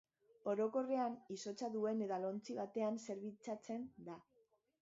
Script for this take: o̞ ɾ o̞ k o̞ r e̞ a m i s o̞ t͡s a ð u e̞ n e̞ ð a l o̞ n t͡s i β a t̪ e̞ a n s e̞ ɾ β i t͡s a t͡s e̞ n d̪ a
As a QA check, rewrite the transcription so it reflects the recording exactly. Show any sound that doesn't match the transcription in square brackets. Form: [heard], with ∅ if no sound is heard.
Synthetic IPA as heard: o̞ ɾ o̞ k o̞ r e̞ a [n] i s o̞ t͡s a ð u e̞ n e̞ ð a l o̞ n t͡s i β a t̪ e̞ a n s e̞ ɾ β i t͡s a t͡s e̞ n d̪ a